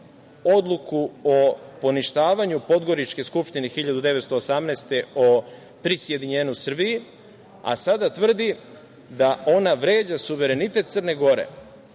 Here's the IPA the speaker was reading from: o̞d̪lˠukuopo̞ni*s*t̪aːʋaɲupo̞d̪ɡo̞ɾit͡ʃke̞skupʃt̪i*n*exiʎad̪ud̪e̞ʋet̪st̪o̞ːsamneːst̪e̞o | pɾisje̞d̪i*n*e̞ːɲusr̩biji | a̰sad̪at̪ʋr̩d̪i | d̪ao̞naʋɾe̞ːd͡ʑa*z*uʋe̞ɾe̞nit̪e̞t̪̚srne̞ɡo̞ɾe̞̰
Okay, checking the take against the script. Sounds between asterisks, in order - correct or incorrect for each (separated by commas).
incorrect, correct, incorrect, incorrect